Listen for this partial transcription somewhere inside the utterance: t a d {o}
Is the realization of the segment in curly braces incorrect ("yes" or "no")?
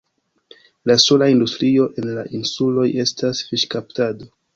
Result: no